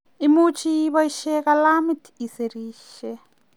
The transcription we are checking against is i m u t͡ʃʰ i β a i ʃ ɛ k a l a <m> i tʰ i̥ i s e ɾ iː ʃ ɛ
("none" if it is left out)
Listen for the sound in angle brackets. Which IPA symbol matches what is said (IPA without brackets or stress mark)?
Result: m